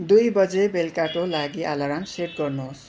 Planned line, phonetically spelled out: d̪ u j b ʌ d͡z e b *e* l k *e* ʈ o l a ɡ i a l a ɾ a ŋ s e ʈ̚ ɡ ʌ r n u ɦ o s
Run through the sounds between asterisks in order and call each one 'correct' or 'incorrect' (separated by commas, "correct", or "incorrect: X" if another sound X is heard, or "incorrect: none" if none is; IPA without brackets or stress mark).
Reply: correct, incorrect: a